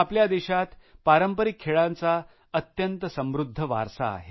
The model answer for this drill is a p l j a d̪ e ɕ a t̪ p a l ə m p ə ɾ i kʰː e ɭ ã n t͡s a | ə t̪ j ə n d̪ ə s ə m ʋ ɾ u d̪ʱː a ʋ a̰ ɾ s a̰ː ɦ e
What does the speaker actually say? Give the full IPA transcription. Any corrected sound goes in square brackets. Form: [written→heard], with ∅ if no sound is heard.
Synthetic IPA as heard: a p l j a d̪ e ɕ a t̪ p a [l→ɾ] ə m p ə ɾ i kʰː e ɭ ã n t͡s a | ə t̪ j ə n [d̪→t̪] ə s ə m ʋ ɾ u d̪ʱː [a→ə] ʋ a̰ ɾ s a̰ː ɦ e